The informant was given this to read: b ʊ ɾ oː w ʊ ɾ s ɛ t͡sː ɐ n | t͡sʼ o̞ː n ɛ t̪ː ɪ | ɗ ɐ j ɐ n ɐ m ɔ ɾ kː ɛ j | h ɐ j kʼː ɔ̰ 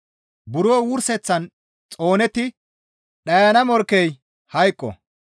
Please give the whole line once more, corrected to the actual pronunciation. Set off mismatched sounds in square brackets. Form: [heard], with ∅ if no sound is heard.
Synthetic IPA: b ʊ ɾ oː w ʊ ɾ s ɛ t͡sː ɐ n | t͡sʼ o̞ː n ɛ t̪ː ɪ | ɗ ɐ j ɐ n ɐ m ɔ ɾ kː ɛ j | h ɐ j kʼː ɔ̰